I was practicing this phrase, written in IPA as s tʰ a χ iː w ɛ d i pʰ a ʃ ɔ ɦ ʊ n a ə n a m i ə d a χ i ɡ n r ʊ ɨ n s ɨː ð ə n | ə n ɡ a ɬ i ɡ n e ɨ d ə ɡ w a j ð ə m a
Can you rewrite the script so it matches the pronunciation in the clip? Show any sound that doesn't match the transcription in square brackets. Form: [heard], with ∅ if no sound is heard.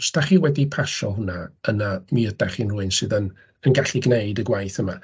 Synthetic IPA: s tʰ a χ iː w ɛ d i pʰ a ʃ ɔ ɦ ʊ n a ə n a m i ə d a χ i [∅] n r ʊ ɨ n s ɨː ð ə n | ə n ɡ a ɬ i ɡ n e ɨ d ə ɡ w a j [θ] ə m a